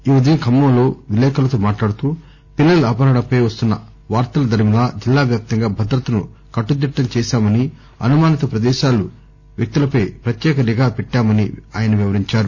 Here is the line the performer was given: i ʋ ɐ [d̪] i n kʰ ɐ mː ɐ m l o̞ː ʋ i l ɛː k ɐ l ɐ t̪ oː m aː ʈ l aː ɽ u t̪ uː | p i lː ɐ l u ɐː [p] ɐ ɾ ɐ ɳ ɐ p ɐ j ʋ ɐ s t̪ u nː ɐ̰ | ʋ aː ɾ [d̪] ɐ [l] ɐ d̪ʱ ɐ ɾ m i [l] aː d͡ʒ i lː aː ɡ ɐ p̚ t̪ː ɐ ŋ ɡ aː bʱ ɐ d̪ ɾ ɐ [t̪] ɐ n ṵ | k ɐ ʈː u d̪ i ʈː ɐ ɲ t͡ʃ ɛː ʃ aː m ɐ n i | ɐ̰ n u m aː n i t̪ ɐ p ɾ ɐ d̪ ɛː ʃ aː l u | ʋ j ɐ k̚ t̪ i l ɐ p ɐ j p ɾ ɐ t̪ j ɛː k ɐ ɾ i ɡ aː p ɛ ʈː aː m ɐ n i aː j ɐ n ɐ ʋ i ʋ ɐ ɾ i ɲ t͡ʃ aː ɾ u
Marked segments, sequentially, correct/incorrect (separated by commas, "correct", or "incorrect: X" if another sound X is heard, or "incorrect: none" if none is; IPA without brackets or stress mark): correct, correct, incorrect: t̪, correct, correct, correct